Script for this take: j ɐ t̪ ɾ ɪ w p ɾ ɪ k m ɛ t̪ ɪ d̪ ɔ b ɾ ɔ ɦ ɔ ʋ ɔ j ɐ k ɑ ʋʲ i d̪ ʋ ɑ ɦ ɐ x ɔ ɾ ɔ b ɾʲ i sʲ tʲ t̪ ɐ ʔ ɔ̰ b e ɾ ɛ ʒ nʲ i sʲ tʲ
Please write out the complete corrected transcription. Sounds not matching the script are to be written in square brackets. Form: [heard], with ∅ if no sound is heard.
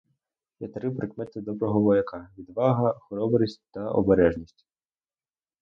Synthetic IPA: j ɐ t̪ ɾ ɪ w p ɾ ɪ k m ɛ t̪ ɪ d̪ ɔ b ɾ ɔ ɦ ɔ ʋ ɔ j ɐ k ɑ ʋʲ i d̪ ʋ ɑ ɦ ɐ x ɔ ɾ ɔ b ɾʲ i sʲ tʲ t̪ ɐ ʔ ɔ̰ b e ɾ ɛ ʒ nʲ i sʲ tʲ